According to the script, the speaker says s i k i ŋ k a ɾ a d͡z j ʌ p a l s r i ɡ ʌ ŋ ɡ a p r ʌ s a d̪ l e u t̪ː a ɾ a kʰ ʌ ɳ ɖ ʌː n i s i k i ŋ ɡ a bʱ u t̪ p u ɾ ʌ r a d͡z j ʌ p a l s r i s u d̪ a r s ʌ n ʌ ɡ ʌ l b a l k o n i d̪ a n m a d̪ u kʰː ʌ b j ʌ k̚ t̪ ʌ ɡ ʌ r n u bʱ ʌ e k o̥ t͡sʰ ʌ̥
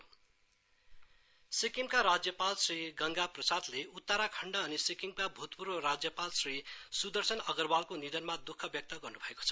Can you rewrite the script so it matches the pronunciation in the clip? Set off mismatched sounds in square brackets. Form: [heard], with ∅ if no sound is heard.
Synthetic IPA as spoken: s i k i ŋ k a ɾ a d͡z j ʌ p a l s r i ɡ ʌ ŋ ɡ a p r ʌ s a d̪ l e u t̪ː a ɾ a kʰ ʌ ɳ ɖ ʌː n i s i k i ŋ [k] a bʱ u t̪ p u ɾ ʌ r a d͡z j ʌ p a l s r i s u d̪ [ʌ] r s ʌ n ʌ ɡ ʌ [r] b a l k o n i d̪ [ʌ] n m a d̪ u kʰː ʌ b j ʌ k̚ t̪ ʌ ɡ ʌ r n u bʱ ʌ e k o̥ t͡sʰ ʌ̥